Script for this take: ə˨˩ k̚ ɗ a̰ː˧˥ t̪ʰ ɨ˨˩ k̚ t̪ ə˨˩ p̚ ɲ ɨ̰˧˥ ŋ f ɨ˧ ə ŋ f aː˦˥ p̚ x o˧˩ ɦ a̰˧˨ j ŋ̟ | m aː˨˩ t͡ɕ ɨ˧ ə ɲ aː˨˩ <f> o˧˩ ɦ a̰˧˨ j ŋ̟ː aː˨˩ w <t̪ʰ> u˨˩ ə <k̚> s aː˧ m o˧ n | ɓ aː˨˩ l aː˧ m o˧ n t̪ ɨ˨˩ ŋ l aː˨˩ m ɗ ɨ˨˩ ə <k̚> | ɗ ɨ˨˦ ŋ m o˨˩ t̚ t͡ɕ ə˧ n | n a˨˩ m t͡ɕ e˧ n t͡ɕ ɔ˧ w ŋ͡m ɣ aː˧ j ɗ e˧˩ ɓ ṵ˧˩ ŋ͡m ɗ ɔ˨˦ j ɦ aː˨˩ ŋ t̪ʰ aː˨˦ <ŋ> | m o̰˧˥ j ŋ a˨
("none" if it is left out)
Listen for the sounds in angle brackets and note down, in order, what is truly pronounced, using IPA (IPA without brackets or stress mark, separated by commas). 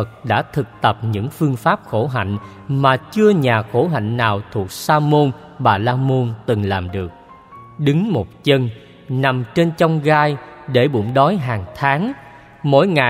x, t̪ʰ, k̚, k̚, ŋ